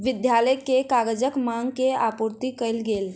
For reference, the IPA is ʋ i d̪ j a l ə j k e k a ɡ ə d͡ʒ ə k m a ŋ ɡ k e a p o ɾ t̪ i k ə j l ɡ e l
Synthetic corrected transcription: ʋ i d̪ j a l ə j k e k a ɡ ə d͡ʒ ə k m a ŋ ɡ k e a p u ɾ t̪ i k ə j l ɡ e l